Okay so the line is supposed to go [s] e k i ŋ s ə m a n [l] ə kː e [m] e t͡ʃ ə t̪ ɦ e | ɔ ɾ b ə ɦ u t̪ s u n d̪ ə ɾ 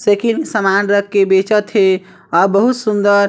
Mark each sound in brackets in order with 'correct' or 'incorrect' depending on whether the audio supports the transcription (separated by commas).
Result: correct, incorrect, incorrect